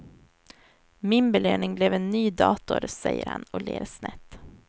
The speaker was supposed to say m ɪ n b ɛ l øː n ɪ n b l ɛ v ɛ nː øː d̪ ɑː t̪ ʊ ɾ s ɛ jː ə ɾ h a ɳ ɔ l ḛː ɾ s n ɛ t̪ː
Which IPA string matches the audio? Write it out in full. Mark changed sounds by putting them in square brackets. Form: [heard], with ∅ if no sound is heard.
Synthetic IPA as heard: m ɪ n b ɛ l øː n ɪ [ŋ] b l ɛ v ɛ nː [yː] d̪ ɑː t̪ ʊ ɾ s ɛ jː ə ɾ h a [n] ɔ l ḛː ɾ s n ɛ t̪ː